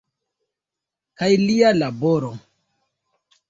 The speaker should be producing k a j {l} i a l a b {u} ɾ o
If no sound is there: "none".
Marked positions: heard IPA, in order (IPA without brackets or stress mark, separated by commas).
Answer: l, o